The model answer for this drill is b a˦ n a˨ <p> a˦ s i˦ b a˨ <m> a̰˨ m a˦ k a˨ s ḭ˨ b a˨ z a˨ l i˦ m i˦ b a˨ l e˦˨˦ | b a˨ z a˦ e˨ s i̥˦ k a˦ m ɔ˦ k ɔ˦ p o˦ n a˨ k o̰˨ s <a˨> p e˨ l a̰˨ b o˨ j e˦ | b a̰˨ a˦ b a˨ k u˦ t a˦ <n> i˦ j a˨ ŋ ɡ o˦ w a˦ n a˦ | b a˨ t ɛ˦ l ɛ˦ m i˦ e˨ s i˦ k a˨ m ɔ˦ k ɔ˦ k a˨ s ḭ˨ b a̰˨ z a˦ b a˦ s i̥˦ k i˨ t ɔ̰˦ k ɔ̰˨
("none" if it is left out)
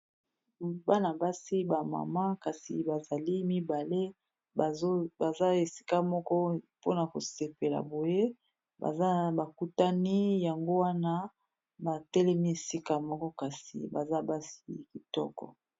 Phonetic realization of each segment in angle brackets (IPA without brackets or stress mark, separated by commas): b, m, e˨, n